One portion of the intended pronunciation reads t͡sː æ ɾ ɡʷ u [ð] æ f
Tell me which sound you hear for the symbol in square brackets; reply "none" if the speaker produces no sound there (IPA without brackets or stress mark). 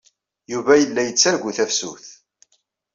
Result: θ